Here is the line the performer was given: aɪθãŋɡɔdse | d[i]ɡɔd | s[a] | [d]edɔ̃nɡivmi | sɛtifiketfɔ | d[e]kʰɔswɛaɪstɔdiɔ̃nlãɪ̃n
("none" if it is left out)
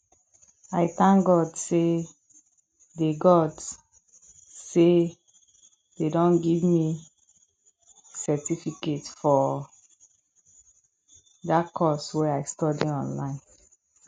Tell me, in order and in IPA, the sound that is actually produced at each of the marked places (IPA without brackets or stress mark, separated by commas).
e, e, d, a